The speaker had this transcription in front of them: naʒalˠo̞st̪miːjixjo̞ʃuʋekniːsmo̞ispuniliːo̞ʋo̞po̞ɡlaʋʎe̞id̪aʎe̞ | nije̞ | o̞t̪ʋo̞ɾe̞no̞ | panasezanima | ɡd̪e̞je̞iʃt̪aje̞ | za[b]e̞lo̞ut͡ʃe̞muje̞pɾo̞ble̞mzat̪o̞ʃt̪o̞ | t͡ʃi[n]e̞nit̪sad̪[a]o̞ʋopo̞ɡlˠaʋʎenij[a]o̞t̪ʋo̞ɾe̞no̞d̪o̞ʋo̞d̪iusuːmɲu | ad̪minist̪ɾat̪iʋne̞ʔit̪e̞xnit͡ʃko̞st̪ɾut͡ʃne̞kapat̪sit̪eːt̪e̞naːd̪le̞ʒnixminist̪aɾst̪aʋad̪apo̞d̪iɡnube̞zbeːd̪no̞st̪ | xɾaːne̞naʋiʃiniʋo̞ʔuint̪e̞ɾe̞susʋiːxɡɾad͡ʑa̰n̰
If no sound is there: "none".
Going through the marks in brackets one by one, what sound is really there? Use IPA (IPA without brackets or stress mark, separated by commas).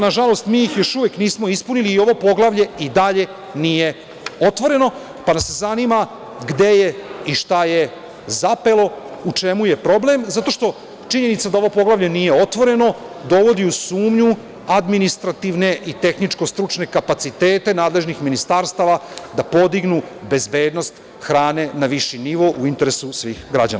p, ɲ, a, e